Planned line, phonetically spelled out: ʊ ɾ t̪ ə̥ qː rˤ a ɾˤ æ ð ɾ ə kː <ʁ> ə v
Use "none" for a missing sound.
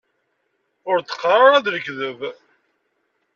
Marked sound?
ð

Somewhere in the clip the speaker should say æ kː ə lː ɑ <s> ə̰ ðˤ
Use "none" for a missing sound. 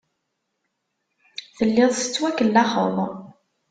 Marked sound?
χ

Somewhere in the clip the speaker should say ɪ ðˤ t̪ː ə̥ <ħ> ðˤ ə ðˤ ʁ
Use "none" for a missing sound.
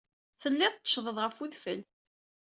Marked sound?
ʃ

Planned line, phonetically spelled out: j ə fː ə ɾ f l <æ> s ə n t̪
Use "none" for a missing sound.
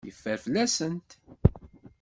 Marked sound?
æ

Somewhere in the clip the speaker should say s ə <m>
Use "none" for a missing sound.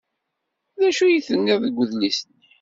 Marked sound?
n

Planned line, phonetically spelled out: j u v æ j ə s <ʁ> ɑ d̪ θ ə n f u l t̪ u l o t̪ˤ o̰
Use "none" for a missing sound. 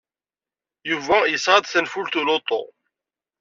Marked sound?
ʁ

